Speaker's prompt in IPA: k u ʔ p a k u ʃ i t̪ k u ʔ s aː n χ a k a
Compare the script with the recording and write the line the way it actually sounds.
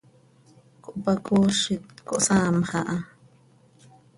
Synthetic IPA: k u ʔ p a k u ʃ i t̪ k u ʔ s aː m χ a ʔ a